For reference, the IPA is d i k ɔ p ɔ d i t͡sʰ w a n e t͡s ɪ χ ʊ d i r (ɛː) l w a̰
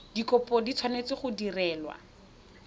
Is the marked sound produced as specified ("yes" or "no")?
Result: yes